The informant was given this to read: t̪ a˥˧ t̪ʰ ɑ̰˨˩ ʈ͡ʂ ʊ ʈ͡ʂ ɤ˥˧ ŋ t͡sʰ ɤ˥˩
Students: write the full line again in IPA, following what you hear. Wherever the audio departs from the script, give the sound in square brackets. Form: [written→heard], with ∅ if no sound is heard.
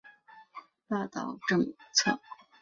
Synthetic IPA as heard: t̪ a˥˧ [t̪ʰ→t̪] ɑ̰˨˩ [ʈ͡ʂ→∅] ʊ ʈ͡ʂ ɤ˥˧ ŋ t͡sʰ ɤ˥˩